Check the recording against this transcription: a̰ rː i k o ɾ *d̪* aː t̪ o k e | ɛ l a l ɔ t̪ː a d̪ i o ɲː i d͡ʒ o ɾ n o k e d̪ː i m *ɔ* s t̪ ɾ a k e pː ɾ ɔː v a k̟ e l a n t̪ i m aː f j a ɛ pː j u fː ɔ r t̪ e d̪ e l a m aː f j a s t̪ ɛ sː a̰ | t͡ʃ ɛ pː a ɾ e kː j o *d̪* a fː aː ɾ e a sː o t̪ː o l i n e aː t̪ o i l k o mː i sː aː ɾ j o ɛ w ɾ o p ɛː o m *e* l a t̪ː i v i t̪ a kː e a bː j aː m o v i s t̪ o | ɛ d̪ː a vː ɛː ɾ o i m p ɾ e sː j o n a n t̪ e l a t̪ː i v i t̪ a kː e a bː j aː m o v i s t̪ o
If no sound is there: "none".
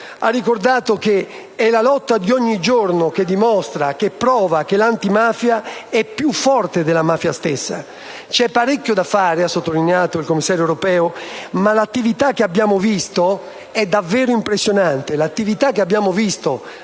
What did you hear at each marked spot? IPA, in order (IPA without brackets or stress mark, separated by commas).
d̪, ɔ, d̪, a